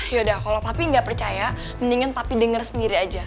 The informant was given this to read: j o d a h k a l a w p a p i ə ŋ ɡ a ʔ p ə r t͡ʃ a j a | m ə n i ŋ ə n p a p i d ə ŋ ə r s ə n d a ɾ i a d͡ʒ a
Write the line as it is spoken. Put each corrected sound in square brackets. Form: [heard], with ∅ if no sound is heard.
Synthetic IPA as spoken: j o d a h k a l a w p a p i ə ŋ ɡ a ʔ p ə r t͡ʃ a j a | m ə n i ŋ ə n p a p i d ə ŋ ə r s ə n d [i] ɾ i a d͡ʒ a